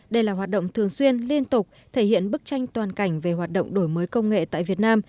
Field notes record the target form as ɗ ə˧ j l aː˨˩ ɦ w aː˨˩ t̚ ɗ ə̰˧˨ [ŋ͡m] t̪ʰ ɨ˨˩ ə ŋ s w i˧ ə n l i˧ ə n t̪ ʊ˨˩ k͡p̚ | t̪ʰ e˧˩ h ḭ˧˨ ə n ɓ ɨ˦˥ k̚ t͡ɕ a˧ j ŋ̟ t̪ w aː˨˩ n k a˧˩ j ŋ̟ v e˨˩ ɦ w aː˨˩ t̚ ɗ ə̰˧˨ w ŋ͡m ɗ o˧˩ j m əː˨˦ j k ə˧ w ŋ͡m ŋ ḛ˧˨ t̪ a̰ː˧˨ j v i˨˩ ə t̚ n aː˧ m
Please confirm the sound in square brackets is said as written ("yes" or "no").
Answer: yes